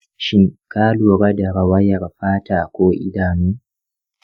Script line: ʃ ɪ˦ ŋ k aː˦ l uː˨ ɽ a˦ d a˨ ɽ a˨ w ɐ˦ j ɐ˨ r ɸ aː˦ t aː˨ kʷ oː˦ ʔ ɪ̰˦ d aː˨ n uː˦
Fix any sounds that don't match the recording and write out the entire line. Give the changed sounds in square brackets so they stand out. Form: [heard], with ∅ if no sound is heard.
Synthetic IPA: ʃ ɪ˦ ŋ k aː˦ l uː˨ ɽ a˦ d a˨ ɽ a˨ w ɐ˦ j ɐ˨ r ɸ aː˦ t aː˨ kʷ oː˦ ʔ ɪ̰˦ d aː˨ n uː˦

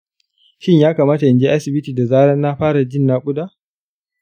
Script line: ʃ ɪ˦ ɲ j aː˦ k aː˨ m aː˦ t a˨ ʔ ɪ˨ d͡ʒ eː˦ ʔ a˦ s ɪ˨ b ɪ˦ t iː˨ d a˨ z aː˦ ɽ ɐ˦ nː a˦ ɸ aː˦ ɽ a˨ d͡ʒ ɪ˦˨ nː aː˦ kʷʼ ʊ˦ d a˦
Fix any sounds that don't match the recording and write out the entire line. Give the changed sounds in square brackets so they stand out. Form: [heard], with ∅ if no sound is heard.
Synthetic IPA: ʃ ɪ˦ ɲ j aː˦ k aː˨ m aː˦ t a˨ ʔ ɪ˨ d͡ʒ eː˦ ʔ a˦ s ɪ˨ b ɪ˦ t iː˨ d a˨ z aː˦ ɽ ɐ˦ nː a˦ ɸ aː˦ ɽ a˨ d͡ʒ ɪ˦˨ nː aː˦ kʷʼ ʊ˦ d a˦

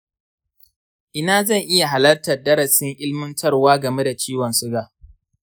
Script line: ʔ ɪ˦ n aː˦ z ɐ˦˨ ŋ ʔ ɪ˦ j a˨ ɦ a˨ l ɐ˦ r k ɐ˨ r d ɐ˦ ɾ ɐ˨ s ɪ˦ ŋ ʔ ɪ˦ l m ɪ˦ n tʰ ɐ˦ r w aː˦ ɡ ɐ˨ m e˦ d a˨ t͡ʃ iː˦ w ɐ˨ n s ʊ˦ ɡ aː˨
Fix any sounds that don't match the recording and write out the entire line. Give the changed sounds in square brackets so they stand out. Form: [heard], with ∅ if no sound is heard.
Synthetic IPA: ʔ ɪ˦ n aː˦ z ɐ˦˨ ŋ ʔ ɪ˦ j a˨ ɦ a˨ l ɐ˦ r [t] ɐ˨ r d ɐ˦ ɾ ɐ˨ s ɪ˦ ŋ ʔ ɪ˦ l m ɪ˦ n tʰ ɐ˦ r w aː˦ ɡ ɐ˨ m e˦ d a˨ t͡ʃ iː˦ w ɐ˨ n s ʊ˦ ɡ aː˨

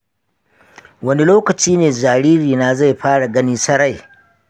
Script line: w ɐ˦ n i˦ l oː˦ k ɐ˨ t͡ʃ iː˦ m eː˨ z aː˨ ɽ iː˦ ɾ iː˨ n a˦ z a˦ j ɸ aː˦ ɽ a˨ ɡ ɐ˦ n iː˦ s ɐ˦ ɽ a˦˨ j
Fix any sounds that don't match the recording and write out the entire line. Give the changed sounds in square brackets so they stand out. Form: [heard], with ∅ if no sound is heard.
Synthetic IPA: w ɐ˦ n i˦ l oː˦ k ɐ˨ t͡ʃ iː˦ [n] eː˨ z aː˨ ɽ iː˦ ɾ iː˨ n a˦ z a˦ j ɸ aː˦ ɽ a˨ ɡ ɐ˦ n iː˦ s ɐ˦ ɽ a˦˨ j

